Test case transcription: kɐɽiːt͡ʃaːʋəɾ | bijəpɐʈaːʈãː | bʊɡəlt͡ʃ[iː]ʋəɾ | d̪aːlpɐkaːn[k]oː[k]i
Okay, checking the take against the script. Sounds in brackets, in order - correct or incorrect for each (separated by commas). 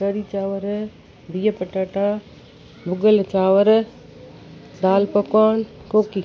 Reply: incorrect, correct, correct